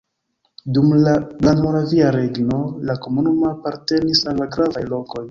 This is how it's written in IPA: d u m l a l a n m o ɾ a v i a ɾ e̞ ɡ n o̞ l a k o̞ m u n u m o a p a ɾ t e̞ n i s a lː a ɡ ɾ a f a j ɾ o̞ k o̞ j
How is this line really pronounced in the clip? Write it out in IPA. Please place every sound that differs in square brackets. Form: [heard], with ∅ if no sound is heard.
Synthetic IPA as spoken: d u m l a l a n m o ɾ a v i a ɾ e̞ ɡ n o̞ l a k o̞ m u n u m o a p a ɾ t e̞ n i s a lː a ɡ ɾ a [v] a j [l] o̞ k o̞ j